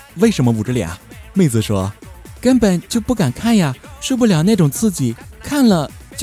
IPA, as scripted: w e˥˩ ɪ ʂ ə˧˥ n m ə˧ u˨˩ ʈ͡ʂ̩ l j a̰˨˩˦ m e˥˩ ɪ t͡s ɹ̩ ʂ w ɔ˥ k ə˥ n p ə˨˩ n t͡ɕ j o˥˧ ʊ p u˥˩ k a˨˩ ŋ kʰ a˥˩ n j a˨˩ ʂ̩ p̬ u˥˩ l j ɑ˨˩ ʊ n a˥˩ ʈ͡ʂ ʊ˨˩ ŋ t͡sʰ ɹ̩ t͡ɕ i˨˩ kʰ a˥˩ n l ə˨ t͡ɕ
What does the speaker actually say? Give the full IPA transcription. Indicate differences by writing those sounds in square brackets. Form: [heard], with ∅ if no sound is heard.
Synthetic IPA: w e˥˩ ɪ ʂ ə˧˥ n m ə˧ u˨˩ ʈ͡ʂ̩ l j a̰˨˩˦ m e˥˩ ɪ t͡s ɹ̩ ʂ w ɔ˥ k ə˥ n p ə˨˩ n t͡ɕ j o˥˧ ʊ p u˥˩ k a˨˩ [n] kʰ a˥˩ n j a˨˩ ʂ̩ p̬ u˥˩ l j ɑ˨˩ ʊ n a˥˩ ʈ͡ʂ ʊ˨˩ ŋ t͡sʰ ɹ̩ t͡ɕ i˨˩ kʰ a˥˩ n l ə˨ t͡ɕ